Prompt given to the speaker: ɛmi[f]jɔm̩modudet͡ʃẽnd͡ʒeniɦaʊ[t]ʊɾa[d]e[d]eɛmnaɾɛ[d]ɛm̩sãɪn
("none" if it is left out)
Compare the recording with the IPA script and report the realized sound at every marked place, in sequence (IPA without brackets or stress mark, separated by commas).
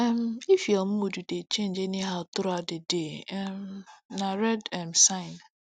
f, t, d, d, d